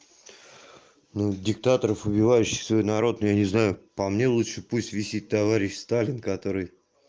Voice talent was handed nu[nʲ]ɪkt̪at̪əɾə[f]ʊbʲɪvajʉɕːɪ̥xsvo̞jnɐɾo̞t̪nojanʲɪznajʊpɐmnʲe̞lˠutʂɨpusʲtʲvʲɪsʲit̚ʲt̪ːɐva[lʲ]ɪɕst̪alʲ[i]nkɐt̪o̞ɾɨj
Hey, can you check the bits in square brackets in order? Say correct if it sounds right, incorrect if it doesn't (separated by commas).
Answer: incorrect, correct, incorrect, incorrect